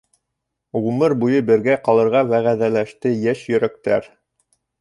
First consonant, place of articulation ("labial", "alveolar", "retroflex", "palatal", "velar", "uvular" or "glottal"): uvular